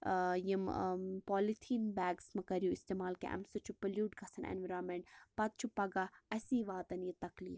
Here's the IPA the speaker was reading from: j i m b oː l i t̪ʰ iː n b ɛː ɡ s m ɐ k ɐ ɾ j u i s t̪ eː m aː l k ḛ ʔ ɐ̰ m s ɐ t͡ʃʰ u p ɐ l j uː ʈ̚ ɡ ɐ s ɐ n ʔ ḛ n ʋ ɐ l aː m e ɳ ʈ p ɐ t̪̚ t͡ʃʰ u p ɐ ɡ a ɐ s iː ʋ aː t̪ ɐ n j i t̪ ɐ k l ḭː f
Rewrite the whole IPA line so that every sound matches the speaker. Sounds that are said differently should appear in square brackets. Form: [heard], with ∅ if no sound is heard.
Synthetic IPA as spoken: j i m [p] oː l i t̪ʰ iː n b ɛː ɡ s m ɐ k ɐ ɾ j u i s t̪ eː m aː l k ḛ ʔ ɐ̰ m s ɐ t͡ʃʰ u p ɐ l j uː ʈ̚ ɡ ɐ s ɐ n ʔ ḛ n ʋ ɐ [ɾ] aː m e ɳ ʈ p ɐ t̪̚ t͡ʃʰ u p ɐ ɡ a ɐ s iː ʋ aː t̪ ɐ n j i t̪ ɐ k l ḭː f